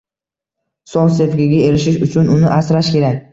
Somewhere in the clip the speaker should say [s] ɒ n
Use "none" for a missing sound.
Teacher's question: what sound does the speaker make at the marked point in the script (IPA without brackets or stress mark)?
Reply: s